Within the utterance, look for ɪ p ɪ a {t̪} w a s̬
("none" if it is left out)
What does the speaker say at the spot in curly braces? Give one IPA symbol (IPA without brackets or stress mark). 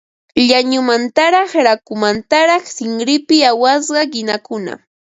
none